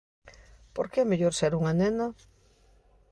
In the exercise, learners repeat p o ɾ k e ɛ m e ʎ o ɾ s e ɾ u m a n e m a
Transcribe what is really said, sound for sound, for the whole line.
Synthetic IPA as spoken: p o ɾ k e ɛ m e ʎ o ɾ s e ɾ u ŋ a n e n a